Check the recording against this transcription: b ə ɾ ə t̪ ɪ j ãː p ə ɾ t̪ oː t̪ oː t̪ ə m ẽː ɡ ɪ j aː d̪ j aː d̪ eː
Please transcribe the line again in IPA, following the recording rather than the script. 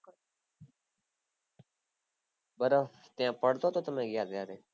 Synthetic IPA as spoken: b ə ɾ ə t̪ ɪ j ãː p ə ɽ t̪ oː t̪ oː t̪ ə m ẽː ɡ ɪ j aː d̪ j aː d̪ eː